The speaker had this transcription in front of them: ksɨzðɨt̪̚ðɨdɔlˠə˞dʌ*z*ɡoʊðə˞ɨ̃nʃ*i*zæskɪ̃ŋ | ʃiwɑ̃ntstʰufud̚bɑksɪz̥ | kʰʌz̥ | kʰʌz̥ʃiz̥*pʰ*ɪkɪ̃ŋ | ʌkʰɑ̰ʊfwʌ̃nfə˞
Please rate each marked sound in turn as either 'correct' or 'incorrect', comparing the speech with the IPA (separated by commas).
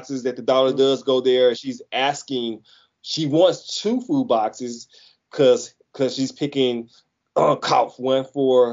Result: correct, correct, correct